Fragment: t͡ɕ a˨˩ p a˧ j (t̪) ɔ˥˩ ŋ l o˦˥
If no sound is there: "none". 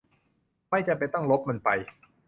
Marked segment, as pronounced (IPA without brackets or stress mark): t̪